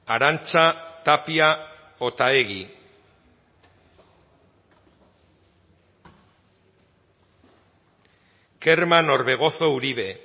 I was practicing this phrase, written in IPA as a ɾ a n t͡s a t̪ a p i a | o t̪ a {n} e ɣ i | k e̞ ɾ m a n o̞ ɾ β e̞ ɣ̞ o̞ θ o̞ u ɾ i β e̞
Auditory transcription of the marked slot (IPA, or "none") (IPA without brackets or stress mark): none